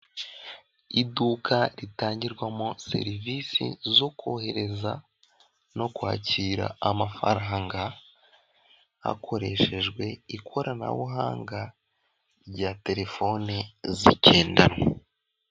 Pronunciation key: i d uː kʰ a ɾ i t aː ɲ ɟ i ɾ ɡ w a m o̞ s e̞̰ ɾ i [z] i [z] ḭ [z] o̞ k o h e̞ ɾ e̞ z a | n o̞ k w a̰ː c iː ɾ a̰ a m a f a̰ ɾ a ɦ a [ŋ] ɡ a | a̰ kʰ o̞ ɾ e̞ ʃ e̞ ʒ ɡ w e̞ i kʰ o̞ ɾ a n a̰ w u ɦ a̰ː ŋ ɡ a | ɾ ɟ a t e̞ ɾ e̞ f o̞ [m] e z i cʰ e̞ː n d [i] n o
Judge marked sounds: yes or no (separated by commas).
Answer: no, no, yes, yes, no, no